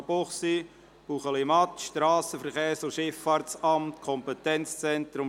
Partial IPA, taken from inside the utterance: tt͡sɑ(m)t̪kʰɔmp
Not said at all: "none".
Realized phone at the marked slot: m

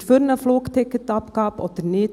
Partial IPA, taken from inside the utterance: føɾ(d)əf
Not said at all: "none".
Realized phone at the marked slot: n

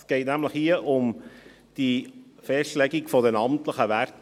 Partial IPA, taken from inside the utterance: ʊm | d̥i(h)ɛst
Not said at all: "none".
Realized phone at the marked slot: f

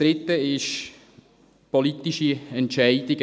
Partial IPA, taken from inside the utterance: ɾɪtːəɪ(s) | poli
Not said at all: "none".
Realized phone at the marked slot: ʃ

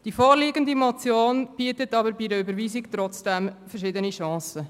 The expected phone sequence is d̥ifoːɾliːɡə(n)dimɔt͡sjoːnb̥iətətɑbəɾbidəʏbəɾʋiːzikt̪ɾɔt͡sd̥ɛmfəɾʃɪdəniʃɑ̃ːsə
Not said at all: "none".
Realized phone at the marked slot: n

